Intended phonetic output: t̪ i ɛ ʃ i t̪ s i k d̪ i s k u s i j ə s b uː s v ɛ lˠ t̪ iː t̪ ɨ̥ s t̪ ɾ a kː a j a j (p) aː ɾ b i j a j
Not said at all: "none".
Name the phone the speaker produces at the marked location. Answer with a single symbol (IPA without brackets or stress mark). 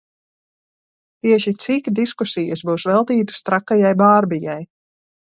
b